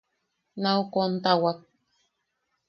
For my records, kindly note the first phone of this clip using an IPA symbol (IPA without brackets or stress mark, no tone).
n